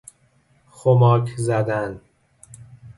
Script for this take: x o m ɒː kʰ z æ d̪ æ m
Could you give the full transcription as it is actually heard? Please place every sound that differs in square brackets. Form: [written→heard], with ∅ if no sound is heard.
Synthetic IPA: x o m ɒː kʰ z æ d̪ æ [m→n]